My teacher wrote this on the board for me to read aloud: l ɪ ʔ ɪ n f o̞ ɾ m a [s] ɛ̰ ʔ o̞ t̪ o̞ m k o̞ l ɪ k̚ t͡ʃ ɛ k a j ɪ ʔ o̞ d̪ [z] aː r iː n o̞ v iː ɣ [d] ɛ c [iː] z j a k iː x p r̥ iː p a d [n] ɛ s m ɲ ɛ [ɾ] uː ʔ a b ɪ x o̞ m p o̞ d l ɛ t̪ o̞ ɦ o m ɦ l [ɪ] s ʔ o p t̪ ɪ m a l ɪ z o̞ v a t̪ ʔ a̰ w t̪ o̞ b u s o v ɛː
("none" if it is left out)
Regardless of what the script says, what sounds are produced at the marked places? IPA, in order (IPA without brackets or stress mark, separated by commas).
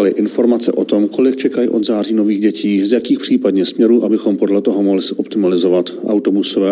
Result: t͡s, z, ɟ, iː, ɲ, ɾ, ɪ